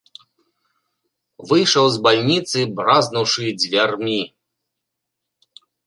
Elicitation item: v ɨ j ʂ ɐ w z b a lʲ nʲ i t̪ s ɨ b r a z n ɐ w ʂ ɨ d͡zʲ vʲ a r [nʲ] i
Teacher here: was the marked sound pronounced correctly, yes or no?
no